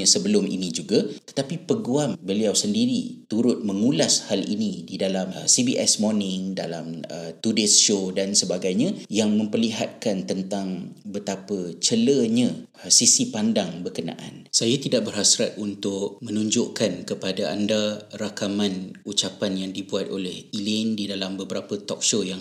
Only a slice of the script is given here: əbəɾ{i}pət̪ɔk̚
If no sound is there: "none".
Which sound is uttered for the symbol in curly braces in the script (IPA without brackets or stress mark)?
a